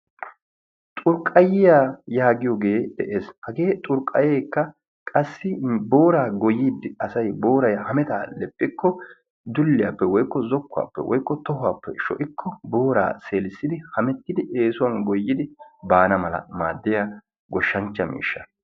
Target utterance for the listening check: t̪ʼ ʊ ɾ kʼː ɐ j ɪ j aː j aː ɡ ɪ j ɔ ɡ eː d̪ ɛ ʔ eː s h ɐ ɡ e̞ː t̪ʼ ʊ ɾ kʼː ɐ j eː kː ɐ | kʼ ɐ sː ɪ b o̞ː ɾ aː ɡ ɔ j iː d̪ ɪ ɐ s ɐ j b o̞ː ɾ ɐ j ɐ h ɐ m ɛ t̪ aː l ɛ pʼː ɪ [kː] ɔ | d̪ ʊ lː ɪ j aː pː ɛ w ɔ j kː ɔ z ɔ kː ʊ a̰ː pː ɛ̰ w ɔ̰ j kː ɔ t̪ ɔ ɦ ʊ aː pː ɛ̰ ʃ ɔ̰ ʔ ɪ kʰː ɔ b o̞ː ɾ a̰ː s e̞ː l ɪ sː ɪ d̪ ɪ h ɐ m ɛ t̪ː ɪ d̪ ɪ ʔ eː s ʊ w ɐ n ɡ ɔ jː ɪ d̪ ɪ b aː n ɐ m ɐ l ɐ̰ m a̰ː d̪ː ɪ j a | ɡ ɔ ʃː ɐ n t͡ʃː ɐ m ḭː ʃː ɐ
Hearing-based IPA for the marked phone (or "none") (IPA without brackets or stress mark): kː